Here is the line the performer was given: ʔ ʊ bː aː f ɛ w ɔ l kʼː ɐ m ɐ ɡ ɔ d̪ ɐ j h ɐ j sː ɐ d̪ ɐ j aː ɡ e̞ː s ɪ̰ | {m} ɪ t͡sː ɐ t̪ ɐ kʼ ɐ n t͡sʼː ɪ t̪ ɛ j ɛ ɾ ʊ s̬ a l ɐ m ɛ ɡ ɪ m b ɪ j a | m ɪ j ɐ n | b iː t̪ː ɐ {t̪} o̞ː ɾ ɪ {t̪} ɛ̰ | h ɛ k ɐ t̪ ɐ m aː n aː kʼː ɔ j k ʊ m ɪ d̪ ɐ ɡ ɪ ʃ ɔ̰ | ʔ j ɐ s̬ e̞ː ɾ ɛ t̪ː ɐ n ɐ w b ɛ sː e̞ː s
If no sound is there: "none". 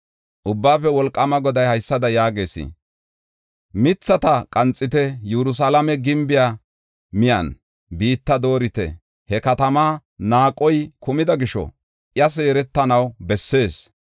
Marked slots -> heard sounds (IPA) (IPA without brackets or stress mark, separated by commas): m, d̪, t̪